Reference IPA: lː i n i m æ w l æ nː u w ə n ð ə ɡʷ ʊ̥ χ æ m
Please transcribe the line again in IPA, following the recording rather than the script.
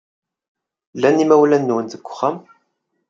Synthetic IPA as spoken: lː æ n i m æ w l æ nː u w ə n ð ə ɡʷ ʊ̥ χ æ m